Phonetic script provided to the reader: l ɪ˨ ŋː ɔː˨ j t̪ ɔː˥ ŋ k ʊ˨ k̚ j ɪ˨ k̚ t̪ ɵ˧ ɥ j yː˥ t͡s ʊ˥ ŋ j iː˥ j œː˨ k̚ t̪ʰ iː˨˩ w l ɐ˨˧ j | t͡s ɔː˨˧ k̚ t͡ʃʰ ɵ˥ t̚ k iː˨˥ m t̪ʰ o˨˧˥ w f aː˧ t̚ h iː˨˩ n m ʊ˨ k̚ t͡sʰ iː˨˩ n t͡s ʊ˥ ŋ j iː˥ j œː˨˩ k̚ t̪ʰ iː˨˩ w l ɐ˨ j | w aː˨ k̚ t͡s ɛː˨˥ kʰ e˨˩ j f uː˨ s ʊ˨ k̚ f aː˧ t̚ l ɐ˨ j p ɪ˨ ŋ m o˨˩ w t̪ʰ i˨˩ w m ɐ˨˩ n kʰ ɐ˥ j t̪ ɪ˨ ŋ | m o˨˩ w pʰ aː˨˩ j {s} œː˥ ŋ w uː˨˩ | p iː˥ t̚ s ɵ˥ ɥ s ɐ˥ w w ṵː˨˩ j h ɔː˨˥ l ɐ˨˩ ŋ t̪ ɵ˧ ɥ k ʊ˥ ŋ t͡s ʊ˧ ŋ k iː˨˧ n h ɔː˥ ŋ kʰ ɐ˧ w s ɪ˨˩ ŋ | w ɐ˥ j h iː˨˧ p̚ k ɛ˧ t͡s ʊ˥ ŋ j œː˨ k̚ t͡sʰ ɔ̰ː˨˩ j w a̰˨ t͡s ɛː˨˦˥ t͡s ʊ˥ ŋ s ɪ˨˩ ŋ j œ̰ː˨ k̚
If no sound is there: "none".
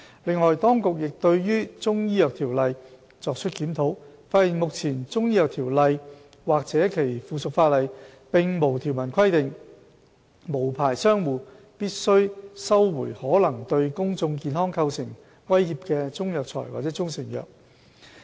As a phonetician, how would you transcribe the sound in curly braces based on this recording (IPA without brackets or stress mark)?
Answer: s